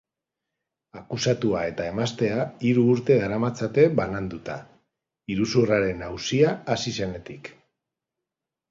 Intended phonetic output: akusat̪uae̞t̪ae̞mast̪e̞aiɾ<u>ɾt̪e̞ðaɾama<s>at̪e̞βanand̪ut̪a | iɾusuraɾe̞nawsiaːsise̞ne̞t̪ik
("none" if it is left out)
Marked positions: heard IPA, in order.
uː, t͡s

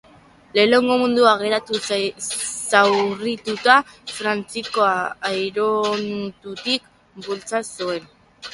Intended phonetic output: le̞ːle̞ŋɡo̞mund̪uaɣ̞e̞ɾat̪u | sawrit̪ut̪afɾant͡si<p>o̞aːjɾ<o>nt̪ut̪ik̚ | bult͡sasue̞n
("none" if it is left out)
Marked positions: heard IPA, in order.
k, o

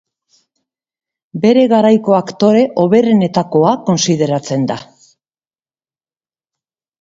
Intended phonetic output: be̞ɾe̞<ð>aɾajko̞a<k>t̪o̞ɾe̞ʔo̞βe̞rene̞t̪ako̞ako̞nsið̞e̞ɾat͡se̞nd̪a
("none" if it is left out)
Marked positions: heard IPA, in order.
ɣ, k

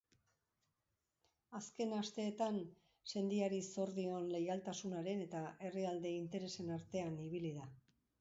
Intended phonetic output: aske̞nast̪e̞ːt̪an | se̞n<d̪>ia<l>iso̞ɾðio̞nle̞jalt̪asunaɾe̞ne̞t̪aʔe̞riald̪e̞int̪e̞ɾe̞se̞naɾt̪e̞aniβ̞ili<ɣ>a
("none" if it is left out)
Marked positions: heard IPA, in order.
d̪, ɾ, ð

